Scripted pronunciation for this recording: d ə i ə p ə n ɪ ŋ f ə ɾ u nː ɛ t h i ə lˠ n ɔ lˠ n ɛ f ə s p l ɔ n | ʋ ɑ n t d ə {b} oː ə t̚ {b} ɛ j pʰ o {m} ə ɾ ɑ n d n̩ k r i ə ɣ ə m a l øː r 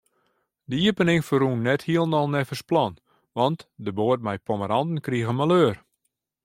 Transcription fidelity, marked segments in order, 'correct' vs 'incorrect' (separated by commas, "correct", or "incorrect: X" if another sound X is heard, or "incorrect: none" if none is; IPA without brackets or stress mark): correct, incorrect: m, correct